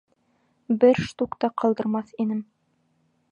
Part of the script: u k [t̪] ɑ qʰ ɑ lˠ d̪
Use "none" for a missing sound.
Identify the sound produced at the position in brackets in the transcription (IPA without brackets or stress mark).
t̪